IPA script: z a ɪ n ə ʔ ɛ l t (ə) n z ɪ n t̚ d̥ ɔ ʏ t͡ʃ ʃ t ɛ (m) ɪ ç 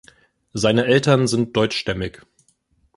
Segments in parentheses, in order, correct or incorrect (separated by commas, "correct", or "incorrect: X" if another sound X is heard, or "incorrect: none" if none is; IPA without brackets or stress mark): incorrect: ɐ, correct